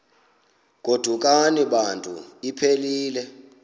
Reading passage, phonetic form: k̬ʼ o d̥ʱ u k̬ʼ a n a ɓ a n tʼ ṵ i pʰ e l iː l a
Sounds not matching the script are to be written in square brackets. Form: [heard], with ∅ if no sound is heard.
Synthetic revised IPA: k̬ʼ o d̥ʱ u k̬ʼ a n [i] ɓ a n tʼ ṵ i pʰ e l iː l [ɛ]